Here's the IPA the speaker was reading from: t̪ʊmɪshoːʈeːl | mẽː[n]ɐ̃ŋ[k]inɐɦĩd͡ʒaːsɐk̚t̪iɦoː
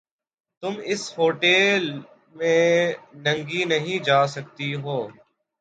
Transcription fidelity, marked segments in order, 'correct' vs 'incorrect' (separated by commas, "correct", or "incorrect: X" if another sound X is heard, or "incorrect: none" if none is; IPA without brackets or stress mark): correct, incorrect: ɡ